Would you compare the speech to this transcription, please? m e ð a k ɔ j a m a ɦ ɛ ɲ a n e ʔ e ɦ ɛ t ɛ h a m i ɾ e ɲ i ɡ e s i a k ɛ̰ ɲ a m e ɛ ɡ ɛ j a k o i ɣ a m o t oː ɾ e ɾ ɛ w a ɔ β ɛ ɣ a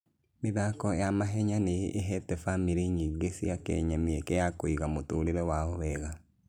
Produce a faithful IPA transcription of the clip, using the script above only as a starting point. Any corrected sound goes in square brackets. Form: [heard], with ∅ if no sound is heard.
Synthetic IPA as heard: m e ð a k ɔ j a m a ɦ ɛ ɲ a n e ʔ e ɦ ɛ t ɛ [f] a m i ɾ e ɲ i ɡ e s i a k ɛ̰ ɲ a m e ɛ [k] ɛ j a k o i ɣ a m o t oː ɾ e ɾ ɛ w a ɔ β ɛ ɣ a